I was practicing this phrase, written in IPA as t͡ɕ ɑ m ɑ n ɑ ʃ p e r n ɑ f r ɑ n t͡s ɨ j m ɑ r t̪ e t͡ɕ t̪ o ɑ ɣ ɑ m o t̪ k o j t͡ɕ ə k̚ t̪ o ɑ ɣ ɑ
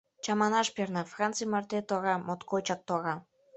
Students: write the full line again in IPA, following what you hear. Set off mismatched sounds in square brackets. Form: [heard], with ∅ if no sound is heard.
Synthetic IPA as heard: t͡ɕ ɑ m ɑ n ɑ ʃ p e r n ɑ f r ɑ n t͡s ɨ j m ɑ r t̪ e [∅] t̪ o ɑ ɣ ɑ m o t̪ k o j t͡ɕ [ɑ] k̚ t̪ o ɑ ɣ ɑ